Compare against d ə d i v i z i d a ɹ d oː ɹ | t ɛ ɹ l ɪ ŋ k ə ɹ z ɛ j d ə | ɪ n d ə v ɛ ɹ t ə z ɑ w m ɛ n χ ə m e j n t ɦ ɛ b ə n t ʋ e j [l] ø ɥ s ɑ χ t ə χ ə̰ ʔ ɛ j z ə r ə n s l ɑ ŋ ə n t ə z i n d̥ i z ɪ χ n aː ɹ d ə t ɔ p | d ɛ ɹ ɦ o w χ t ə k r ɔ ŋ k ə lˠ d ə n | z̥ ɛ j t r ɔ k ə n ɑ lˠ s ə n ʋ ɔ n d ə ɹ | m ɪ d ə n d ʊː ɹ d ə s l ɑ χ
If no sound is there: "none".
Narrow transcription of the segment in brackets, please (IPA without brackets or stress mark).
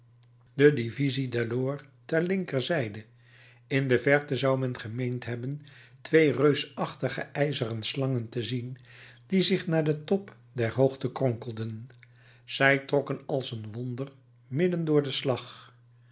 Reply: r